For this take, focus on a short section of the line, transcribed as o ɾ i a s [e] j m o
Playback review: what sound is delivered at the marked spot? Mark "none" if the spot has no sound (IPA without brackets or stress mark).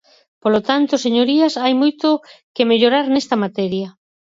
a